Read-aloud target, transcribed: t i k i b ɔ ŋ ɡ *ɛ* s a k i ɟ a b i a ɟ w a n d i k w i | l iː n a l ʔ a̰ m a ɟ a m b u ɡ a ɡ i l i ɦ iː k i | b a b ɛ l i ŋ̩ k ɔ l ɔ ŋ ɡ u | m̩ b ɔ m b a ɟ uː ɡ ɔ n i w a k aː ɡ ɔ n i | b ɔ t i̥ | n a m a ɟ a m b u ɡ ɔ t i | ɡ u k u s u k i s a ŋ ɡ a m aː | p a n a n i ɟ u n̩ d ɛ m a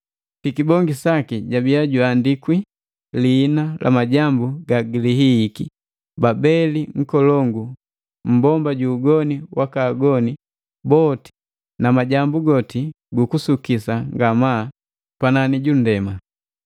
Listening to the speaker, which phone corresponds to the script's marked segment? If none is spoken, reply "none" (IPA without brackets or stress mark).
i